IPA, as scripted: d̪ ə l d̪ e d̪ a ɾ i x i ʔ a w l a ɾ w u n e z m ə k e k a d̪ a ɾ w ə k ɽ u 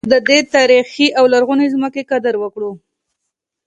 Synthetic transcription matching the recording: d̪ ə d̪ e t̪ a ɾ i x i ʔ a w l a ɾ ɣ u n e z m ə k e k a d̪ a ɾ w ə k ɽ u